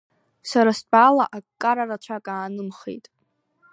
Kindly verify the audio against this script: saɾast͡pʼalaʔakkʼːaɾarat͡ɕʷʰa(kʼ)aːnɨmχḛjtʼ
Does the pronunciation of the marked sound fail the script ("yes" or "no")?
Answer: no